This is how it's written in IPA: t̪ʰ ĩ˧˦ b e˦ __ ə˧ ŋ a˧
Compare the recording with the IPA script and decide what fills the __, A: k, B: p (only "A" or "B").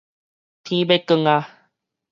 A